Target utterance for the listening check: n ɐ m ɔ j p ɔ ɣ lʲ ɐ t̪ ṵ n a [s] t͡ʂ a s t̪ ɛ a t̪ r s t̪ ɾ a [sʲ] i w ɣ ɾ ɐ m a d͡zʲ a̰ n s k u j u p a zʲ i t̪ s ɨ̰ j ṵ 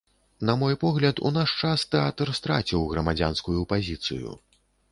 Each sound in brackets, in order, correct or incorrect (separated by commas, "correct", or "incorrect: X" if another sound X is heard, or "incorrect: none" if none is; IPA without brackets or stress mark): incorrect: ʂ, incorrect: t͡sʲ